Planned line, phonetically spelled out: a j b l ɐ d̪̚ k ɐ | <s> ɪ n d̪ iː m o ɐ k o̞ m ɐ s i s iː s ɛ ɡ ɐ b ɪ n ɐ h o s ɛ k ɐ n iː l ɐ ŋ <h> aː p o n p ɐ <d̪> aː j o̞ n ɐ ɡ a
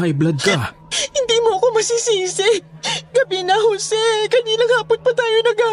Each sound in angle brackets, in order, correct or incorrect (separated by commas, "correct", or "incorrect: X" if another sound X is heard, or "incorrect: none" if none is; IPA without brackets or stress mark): incorrect: h, correct, incorrect: t̪